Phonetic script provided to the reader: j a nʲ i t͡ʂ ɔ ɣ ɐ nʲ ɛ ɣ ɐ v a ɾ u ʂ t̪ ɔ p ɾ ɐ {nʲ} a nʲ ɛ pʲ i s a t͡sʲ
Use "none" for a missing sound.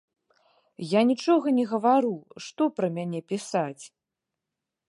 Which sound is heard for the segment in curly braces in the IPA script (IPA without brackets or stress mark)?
mʲ